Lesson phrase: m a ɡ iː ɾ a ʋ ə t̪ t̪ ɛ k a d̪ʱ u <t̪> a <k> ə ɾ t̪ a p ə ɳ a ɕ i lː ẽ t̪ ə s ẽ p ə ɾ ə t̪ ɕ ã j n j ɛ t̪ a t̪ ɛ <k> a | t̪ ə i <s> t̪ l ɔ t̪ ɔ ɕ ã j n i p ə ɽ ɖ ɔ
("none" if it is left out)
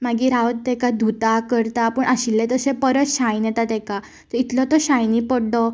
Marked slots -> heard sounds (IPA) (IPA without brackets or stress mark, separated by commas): t̪, k, k, none